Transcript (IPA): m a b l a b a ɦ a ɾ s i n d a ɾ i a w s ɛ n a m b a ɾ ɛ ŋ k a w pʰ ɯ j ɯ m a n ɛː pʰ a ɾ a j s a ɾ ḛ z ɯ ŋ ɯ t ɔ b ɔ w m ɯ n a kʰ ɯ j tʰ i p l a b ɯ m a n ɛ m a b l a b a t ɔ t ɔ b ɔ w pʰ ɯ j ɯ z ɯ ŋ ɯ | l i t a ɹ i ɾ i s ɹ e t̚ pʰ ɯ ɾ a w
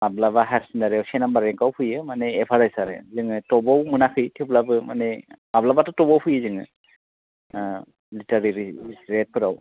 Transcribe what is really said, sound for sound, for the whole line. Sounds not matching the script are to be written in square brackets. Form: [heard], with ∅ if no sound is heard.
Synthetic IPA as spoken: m a b l a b a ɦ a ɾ s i n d a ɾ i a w s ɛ n a m b a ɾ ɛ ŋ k a w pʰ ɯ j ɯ m a n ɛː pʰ a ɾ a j s a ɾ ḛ z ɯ ŋ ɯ t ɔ b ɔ w m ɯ n a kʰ ɯ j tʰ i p l a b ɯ m a n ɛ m a b l a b a t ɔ t ɔ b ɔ w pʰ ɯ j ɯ z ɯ ŋ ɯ | l i t a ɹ i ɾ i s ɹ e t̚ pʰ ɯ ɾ a w